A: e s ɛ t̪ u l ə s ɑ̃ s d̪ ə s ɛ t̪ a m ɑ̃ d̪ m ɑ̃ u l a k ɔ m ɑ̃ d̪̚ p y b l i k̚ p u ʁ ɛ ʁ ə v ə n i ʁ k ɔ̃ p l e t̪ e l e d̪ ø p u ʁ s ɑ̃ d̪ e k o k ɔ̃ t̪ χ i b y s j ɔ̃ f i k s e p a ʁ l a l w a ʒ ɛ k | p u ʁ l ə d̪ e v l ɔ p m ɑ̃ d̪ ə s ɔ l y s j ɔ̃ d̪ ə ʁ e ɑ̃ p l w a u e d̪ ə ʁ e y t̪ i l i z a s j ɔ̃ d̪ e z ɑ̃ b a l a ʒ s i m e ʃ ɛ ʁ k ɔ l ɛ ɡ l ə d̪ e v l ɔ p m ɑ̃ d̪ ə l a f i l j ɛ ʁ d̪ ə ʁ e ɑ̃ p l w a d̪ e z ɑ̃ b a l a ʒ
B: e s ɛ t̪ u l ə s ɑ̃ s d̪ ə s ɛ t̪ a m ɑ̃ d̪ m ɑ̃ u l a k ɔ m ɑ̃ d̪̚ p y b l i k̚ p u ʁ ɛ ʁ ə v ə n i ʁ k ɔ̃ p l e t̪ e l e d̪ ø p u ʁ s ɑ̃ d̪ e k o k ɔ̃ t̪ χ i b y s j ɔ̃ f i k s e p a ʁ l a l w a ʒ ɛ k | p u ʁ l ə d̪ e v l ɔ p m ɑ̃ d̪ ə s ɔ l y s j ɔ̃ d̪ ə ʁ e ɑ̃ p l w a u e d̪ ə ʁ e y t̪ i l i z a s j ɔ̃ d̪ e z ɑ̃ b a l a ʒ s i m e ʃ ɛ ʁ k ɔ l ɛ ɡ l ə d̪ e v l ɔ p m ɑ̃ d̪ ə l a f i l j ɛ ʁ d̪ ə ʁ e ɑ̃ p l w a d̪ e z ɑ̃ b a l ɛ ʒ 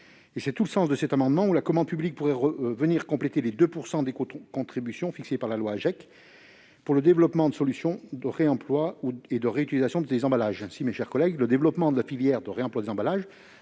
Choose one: A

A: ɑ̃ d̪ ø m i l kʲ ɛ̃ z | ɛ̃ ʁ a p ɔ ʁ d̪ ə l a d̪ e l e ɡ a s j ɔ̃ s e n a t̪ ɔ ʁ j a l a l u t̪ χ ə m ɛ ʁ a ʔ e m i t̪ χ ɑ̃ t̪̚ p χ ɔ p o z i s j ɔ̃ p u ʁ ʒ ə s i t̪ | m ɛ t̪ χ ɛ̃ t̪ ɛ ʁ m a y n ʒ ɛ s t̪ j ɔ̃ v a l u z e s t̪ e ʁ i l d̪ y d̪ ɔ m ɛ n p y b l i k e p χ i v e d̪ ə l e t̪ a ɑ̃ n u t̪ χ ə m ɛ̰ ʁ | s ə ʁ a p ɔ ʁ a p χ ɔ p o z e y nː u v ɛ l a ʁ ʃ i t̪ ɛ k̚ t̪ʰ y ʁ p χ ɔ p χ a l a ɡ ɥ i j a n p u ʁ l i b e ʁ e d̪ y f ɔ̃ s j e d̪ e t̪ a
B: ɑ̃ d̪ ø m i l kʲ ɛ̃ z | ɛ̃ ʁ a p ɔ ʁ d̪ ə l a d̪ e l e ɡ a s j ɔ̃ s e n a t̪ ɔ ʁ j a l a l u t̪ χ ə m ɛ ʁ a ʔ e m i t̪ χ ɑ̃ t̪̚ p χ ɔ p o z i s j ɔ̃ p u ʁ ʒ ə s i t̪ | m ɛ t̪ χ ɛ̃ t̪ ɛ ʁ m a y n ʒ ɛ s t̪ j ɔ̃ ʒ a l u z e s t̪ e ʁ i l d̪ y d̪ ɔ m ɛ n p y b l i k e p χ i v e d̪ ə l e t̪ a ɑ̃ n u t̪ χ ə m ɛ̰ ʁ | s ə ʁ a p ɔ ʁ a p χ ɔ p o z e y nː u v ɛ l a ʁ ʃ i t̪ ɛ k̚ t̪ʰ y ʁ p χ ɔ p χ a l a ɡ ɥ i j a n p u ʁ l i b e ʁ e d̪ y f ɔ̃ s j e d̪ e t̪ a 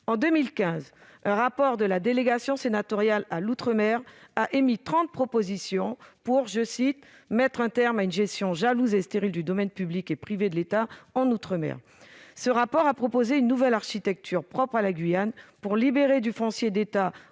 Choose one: B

